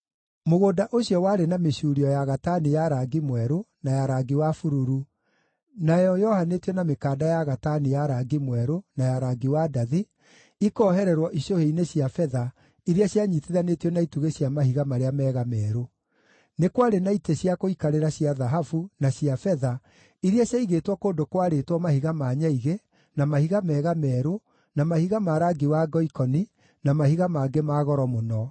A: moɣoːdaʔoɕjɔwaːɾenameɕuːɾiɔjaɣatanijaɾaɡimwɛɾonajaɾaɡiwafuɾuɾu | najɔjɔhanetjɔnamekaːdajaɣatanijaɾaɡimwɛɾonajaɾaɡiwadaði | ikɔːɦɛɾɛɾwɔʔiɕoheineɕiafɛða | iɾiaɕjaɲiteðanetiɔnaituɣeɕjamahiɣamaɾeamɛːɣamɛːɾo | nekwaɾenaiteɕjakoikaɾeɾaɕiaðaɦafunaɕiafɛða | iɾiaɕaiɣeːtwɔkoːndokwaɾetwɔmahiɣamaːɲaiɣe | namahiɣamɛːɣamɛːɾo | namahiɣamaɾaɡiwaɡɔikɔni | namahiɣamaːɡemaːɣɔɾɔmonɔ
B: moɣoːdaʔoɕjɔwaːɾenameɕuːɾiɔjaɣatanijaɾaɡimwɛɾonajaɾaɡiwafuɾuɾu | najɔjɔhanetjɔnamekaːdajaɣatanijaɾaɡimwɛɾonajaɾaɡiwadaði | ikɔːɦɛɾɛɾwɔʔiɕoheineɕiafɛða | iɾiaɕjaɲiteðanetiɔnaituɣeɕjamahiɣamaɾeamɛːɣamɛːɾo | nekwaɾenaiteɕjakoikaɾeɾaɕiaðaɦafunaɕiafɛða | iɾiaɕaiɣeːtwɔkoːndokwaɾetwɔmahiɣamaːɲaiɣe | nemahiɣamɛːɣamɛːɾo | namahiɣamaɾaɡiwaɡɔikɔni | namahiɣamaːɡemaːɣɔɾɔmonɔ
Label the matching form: A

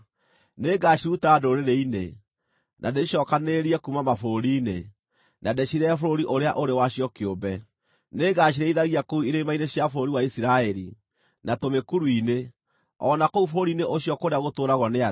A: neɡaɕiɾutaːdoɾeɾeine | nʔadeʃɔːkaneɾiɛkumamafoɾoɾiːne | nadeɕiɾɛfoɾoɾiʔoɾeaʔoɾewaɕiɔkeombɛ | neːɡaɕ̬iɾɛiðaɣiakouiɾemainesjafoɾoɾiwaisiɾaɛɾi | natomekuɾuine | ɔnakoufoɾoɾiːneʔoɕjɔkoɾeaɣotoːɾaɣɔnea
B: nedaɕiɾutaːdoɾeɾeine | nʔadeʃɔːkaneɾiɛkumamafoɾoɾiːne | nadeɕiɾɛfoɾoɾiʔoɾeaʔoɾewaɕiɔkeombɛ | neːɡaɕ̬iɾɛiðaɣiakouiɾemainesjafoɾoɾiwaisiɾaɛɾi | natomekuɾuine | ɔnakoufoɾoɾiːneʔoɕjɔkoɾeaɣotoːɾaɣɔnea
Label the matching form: A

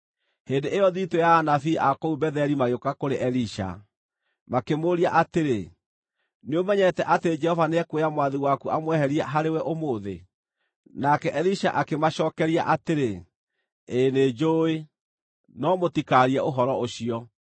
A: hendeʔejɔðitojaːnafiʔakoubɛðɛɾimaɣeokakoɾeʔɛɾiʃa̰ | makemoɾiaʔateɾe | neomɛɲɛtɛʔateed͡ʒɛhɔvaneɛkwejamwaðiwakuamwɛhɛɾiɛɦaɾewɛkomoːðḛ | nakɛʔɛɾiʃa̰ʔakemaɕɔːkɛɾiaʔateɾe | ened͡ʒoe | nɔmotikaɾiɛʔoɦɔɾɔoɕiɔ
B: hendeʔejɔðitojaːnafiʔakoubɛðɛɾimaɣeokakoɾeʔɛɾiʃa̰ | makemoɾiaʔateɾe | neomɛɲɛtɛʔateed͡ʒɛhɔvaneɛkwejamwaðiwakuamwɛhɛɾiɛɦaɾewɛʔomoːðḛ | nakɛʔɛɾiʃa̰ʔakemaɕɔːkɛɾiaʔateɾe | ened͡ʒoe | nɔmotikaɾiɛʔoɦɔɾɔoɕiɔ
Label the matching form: B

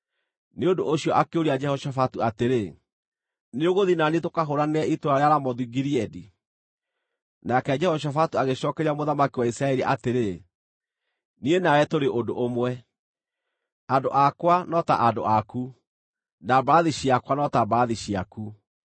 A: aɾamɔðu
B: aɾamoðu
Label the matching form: A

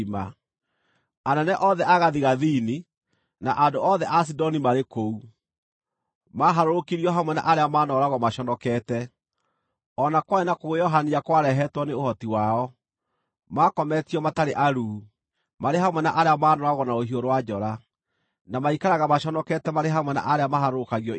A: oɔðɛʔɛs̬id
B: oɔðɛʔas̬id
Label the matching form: B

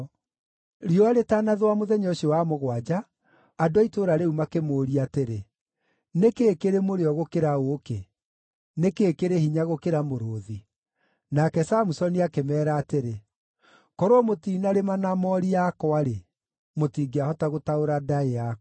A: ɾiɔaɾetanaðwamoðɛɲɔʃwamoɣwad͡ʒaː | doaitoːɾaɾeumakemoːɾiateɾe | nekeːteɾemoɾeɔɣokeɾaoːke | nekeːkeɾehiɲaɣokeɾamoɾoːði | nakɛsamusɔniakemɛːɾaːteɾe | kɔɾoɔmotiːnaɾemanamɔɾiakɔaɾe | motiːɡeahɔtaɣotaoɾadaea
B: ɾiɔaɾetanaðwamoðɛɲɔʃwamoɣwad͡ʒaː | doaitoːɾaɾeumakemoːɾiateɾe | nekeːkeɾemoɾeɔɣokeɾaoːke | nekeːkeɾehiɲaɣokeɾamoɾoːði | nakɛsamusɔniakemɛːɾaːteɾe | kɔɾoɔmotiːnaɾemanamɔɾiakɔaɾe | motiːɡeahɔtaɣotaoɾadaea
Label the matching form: B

